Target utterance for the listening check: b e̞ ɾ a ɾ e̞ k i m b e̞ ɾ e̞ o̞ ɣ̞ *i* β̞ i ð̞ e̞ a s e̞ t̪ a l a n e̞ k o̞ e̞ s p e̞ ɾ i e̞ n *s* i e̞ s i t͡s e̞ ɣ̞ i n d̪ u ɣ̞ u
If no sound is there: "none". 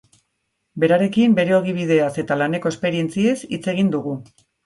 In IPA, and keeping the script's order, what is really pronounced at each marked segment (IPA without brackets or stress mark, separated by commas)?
i, t͡s